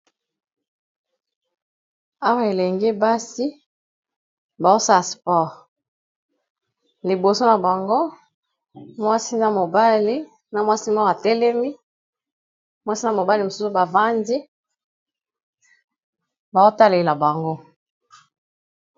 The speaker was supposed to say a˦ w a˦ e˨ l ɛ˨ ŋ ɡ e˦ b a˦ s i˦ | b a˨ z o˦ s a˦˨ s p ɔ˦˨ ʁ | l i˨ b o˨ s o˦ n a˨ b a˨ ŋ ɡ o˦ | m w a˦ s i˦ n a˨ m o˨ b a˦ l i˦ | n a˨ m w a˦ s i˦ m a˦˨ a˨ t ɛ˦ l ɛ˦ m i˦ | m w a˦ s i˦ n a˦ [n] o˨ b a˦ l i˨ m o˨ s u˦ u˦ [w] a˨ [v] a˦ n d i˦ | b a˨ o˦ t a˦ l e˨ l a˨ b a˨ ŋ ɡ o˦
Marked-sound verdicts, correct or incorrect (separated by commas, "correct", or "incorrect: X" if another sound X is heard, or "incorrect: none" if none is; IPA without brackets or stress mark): incorrect: m, incorrect: b, correct